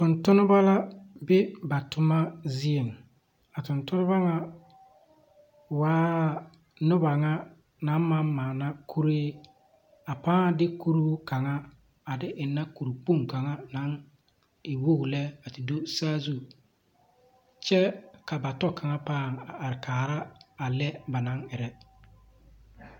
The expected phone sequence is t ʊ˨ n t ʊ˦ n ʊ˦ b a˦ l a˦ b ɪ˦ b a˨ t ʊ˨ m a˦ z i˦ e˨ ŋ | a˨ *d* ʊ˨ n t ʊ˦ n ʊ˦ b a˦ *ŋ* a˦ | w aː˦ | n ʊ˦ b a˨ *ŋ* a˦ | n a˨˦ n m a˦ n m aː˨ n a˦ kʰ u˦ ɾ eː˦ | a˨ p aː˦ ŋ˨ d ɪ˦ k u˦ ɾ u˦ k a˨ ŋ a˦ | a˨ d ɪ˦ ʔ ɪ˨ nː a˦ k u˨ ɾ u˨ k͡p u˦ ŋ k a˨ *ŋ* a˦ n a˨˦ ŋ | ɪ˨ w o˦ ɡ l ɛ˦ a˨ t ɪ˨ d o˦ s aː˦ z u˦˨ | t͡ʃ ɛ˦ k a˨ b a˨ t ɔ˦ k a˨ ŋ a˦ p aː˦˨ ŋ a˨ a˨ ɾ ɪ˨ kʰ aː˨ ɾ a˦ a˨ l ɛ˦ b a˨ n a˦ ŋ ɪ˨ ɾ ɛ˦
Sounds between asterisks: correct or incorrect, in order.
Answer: incorrect, correct, correct, correct

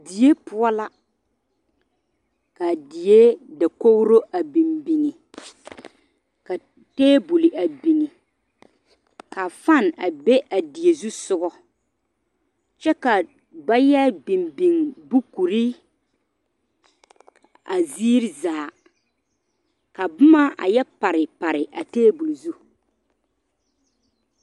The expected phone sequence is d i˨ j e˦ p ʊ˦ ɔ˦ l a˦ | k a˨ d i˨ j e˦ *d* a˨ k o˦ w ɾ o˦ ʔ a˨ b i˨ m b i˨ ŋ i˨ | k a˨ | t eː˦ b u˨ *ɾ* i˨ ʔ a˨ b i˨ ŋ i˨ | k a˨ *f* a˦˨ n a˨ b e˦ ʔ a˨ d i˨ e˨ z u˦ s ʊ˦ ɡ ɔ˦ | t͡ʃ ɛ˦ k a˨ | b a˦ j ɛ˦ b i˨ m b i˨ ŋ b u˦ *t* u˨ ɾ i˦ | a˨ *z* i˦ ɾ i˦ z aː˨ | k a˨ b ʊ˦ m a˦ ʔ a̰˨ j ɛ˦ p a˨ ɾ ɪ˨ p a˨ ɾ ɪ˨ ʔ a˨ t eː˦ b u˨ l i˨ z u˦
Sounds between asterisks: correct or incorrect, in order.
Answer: correct, incorrect, correct, incorrect, correct

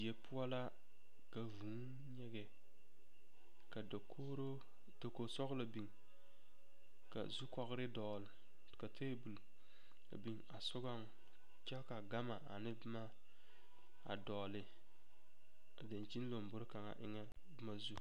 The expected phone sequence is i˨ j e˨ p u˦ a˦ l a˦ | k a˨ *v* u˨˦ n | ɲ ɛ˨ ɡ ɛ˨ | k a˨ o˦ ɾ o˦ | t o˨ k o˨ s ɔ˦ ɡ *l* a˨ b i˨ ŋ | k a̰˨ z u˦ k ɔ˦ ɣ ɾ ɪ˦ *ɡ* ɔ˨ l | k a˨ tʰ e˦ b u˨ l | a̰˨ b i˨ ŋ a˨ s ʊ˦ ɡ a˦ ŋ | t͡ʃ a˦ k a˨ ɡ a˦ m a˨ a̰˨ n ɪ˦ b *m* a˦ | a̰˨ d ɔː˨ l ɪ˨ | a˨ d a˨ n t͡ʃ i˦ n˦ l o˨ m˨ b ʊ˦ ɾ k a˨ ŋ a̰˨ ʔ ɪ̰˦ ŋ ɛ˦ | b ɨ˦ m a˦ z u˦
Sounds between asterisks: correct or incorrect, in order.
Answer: correct, correct, incorrect, correct

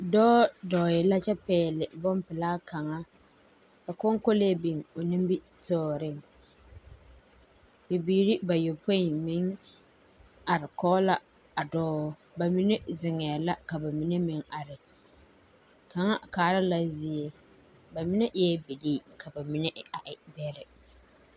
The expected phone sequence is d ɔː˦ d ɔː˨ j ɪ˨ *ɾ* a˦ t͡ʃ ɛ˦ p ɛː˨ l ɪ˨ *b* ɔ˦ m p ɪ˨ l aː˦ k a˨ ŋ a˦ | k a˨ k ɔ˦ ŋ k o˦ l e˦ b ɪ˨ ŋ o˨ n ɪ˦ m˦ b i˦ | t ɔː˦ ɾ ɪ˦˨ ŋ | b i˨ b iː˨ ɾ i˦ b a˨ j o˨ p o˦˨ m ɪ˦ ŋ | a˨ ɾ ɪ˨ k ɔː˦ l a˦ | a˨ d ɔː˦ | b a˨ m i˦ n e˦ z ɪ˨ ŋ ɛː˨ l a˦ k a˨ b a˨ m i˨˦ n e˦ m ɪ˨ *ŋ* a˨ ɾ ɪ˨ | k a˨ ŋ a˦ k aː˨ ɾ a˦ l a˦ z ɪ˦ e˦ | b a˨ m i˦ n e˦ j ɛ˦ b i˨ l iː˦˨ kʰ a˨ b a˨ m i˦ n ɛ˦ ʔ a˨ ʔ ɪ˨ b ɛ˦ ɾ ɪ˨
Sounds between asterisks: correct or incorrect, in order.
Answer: incorrect, correct, correct

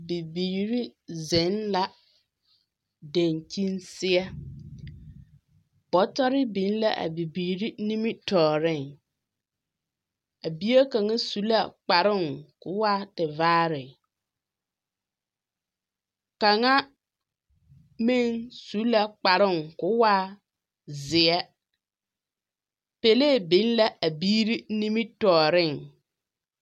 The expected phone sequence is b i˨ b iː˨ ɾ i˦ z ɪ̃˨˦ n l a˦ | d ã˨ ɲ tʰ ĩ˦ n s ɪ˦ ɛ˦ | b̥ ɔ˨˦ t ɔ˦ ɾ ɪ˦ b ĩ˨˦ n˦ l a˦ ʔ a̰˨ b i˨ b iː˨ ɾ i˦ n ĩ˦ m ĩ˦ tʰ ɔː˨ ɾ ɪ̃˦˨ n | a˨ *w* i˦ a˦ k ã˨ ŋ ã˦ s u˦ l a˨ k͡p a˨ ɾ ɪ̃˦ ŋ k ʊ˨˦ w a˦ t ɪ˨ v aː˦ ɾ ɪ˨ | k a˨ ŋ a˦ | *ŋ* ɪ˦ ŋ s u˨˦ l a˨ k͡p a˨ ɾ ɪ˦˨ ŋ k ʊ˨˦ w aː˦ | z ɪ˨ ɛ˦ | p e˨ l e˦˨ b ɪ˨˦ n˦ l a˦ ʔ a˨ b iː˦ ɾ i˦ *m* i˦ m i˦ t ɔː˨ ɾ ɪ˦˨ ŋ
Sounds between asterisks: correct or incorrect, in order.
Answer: incorrect, incorrect, incorrect

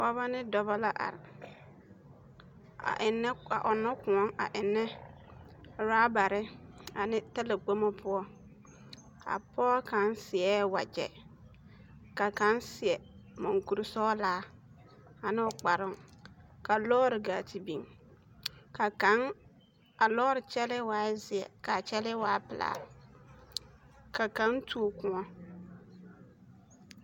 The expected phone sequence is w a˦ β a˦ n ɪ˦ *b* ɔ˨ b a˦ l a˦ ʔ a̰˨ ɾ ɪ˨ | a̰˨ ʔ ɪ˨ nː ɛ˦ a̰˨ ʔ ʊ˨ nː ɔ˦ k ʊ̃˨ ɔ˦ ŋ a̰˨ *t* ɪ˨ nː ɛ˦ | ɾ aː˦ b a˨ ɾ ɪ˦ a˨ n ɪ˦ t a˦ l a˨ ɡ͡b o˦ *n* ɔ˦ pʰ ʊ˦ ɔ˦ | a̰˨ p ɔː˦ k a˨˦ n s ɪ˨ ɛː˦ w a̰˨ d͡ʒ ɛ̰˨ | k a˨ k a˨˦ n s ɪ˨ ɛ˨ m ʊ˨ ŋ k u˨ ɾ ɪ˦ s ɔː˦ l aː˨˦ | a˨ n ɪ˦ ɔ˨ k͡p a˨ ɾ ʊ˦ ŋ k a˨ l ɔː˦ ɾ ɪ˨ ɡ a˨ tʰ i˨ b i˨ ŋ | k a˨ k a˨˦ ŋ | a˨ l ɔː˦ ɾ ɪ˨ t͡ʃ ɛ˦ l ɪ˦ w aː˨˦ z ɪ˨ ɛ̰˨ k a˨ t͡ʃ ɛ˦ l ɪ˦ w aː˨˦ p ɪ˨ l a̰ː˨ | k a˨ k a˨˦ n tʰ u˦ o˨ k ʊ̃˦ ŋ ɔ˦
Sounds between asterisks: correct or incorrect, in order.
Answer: incorrect, incorrect, incorrect

